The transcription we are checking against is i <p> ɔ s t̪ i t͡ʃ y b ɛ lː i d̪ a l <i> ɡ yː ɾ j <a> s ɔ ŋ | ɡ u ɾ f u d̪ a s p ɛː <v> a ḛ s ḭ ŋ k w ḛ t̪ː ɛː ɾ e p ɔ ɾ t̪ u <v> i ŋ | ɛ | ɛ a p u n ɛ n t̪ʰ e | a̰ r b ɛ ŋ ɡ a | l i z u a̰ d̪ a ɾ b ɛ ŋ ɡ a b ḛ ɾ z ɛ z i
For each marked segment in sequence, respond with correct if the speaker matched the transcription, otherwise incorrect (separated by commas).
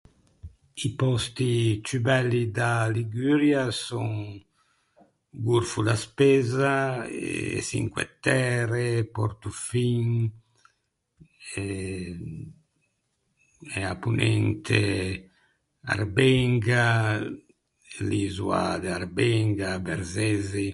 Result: correct, correct, correct, incorrect, incorrect